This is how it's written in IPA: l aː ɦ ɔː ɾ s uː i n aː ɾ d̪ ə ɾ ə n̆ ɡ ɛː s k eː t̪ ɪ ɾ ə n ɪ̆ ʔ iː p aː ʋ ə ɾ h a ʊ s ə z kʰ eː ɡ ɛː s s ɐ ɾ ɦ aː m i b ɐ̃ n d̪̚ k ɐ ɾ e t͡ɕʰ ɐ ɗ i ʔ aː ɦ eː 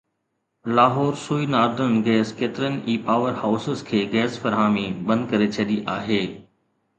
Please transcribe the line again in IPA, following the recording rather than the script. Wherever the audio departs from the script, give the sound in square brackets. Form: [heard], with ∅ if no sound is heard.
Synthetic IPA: l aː ɦ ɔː ɾ s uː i n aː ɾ d̪ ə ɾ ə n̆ ɡ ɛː s k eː t̪ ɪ ɾ ə n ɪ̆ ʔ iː p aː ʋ ə ɾ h a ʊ s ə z kʰ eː ɡ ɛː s [f] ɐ ɾ ɦ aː m i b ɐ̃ n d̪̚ k ɐ ɾ e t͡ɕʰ ɐ ɗ i ʔ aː ɦ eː